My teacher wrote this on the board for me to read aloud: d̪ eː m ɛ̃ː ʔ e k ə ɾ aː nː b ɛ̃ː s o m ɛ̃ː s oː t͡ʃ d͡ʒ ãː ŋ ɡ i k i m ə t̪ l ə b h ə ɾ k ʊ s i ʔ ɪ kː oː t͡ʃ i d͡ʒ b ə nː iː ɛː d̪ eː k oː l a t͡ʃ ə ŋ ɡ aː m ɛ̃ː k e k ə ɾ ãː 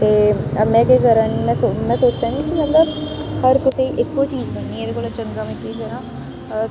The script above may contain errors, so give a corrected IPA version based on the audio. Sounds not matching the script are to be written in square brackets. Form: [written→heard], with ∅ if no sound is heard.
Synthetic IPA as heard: [d̪→t̪] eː m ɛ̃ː [ʔ→k] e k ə ɾ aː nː [b→m] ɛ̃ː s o m ɛ̃ː s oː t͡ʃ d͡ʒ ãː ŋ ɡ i k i m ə t̪ l ə b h ə ɾ k ʊ s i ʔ ɪ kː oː t͡ʃ [i→iː] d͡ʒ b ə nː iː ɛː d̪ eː k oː l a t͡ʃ ə ŋ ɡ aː m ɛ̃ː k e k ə ɾ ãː